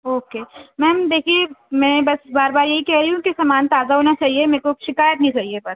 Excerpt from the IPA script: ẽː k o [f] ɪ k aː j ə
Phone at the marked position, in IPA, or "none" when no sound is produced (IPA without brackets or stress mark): ʃ